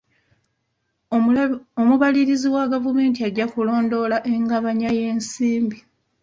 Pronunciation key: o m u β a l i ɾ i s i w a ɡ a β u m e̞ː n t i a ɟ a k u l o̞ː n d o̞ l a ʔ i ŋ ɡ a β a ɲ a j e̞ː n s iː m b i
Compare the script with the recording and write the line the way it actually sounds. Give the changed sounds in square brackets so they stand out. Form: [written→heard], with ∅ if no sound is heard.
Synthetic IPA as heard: o m u β a l i ɾ i [s→z] i w a ɡ a [β→v] u m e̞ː n t i a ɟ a k u l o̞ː n d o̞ l a ʔ [i→e] ŋ ɡ a β a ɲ a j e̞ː n s iː m b i